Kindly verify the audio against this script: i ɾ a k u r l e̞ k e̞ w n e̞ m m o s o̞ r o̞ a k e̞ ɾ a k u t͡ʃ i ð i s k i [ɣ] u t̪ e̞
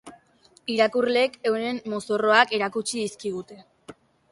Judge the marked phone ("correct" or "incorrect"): correct